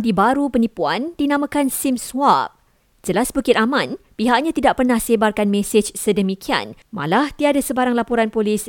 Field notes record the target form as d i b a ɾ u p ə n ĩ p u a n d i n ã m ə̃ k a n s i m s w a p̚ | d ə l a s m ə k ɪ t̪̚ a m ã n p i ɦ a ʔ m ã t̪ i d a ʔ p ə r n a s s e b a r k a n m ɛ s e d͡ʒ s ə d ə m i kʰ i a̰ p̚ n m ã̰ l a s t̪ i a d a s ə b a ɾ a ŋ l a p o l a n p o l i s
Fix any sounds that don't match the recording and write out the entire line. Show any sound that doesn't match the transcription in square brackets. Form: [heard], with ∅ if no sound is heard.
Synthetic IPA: d i b a ɾ u p ə n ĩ p u a n d i n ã m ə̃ k a n s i m s w a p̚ | [d͡ʒ] ə l a s [b] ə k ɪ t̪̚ a m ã n p i ɦ a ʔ [ɲ] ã t̪ i d a ʔ p ə r n a [h] s e b a r k a n m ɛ s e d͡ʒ s ə d ə m i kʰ i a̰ [∅] n m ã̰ l a [h] t̪ i a d a s ə b a ɾ a ŋ l a p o [ɾ] a n p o l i s